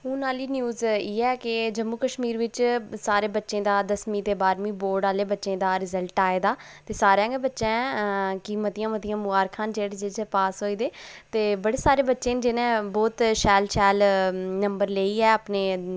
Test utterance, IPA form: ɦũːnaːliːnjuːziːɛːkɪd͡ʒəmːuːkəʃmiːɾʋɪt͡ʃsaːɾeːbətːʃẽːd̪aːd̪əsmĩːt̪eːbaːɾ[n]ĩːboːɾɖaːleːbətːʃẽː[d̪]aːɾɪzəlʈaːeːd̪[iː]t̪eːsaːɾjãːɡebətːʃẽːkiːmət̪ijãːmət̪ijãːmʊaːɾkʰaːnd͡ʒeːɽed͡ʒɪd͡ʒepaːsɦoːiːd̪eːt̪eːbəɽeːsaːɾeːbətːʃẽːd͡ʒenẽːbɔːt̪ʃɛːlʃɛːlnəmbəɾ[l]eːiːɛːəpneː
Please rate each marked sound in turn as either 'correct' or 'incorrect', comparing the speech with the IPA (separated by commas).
incorrect, correct, incorrect, correct